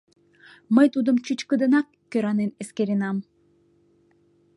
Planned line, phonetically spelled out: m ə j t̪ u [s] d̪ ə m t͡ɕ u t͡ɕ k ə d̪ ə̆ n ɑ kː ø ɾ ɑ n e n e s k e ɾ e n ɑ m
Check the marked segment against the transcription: incorrect: none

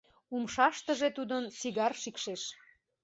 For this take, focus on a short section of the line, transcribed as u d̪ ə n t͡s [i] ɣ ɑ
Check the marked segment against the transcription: correct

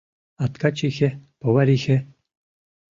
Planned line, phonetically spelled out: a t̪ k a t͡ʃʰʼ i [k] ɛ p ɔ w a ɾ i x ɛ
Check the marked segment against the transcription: incorrect: x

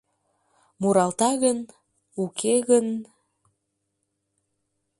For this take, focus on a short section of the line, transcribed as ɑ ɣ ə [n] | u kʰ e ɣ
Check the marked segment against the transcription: correct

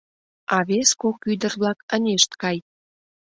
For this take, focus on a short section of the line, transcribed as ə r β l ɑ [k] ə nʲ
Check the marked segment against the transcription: correct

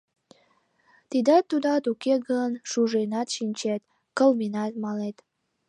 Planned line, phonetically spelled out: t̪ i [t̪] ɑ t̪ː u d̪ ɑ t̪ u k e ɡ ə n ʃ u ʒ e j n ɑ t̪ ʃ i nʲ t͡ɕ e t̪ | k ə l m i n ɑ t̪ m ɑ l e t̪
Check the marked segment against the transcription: incorrect: d̪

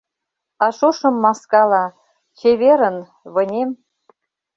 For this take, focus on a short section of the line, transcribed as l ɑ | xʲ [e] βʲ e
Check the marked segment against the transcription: correct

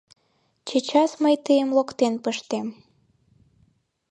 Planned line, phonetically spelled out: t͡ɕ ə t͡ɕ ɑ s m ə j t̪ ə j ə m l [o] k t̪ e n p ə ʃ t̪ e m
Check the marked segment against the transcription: correct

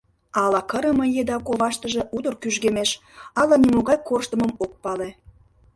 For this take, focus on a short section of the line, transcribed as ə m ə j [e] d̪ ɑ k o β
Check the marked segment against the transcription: correct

